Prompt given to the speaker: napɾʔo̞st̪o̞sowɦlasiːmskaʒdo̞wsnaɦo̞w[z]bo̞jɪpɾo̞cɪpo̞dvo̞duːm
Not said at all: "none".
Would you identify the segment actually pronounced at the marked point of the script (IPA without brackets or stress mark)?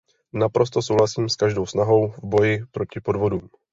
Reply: v